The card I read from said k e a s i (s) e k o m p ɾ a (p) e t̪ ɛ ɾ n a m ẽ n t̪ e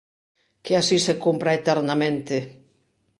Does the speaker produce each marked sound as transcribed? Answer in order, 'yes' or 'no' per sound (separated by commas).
yes, no